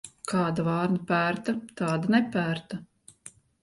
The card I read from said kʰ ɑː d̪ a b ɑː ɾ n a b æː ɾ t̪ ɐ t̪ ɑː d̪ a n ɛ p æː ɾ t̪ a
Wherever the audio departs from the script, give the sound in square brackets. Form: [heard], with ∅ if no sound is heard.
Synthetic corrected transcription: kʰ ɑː d̪ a [v] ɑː ɾ n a [p] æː ɾ t̪ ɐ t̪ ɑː d̪ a n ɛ p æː ɾ t̪ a